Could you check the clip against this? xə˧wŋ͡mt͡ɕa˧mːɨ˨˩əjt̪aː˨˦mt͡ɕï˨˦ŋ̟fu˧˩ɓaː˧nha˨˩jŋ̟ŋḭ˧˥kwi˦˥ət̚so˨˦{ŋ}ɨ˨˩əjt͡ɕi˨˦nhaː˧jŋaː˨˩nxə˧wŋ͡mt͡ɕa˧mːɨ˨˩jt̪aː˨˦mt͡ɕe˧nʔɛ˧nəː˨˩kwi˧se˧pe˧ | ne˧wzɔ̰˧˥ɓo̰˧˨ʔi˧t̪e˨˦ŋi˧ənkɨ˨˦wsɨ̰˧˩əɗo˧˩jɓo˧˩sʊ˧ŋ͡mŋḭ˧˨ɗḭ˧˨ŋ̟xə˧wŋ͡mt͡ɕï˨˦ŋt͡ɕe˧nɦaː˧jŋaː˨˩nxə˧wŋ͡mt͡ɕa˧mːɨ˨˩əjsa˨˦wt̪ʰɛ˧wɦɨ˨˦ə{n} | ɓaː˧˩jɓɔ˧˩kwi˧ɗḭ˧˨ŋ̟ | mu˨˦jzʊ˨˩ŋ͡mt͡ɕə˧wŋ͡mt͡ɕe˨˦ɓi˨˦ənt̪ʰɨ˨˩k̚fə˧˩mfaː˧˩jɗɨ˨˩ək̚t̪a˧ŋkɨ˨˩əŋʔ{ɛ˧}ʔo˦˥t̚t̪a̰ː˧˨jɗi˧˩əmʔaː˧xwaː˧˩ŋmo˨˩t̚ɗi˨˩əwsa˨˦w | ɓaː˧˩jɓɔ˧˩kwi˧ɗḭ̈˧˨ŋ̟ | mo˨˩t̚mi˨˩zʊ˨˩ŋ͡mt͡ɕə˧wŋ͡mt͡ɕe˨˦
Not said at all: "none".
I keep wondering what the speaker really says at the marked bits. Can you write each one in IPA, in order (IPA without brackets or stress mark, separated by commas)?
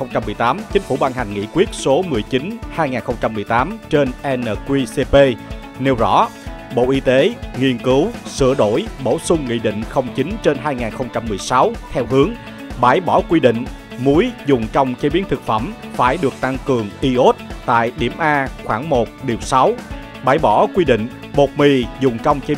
m, ŋ, i˧